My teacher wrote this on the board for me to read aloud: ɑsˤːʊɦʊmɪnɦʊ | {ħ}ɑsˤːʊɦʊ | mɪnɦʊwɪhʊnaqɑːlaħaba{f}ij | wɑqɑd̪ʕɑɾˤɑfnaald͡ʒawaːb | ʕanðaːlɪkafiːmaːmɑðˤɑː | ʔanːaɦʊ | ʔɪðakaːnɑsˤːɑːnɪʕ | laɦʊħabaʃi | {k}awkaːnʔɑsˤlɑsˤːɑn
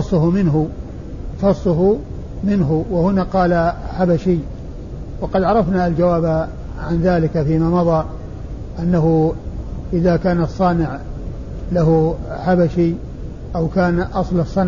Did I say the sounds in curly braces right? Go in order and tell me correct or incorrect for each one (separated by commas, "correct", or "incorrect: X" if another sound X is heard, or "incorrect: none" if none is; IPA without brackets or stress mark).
incorrect: f, incorrect: ʃ, incorrect: ʔ